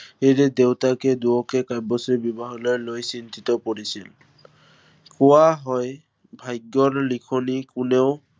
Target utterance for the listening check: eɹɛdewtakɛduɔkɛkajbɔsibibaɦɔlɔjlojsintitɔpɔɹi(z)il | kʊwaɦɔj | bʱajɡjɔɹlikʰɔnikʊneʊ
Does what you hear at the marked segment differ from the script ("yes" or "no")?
yes